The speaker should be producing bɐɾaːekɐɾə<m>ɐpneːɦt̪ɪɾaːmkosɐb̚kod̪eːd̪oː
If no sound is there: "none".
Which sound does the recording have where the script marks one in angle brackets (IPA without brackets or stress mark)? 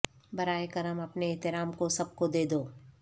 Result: m